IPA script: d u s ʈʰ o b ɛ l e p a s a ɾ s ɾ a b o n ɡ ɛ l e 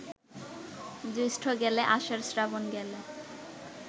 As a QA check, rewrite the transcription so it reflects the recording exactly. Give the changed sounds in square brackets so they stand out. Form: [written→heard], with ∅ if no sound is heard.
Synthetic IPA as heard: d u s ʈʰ o [b→ɡ] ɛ l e [p→ʔ] a [s→ʃ] a ɾ s ɾ a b o n ɡ ɛ l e